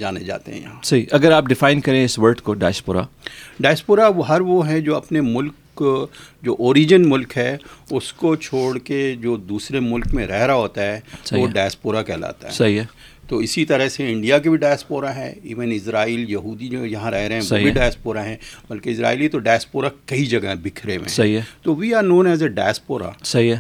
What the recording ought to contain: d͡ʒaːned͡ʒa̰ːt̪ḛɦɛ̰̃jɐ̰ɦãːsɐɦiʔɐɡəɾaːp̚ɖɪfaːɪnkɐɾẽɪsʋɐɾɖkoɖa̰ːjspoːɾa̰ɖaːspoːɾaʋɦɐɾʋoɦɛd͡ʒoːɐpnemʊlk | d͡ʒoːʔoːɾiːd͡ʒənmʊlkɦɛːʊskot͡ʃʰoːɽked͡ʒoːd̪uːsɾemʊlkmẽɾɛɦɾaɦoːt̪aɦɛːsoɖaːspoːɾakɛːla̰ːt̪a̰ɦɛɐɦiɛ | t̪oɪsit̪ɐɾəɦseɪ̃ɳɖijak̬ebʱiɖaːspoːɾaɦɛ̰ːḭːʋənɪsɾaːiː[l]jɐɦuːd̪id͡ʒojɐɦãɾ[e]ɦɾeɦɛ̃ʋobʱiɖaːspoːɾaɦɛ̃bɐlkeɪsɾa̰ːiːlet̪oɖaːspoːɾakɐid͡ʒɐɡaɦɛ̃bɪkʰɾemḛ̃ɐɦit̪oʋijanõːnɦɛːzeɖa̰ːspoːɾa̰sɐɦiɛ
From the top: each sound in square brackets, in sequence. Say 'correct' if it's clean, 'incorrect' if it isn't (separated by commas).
correct, incorrect